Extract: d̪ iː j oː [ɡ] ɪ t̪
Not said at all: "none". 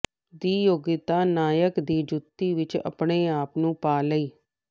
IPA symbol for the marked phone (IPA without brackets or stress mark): ɡ